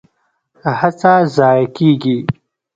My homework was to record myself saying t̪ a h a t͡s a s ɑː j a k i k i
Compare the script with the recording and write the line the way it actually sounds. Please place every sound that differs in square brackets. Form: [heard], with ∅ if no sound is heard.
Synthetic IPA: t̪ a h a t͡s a [z] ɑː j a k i [ɡ] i